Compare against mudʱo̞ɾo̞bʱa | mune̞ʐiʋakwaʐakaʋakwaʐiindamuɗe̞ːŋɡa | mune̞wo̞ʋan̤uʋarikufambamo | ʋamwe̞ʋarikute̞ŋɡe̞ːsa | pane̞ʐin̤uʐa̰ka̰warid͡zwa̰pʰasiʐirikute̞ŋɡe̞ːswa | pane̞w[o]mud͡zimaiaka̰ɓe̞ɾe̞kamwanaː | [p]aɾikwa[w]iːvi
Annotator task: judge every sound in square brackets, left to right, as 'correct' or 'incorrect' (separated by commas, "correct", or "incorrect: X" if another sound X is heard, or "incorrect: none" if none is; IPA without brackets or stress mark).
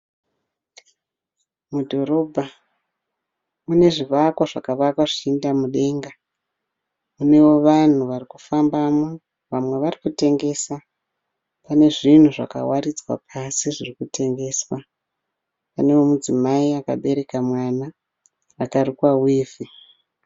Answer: correct, incorrect: k, correct